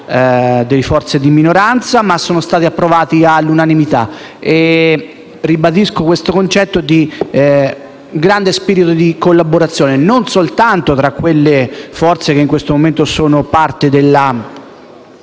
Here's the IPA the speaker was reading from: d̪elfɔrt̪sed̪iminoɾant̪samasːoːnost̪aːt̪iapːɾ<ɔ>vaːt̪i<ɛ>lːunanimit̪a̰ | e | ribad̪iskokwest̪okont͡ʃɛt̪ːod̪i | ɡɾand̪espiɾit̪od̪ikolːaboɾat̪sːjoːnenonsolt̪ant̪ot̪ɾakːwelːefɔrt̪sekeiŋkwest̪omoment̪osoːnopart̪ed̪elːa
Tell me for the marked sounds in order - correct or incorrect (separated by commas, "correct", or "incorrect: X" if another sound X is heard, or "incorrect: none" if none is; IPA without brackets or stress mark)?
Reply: incorrect: o, incorrect: a